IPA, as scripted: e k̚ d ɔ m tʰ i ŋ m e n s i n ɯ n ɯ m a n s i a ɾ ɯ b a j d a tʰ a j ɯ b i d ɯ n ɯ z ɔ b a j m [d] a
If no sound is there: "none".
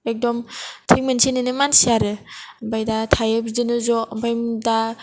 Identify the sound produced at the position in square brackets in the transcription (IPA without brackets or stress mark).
d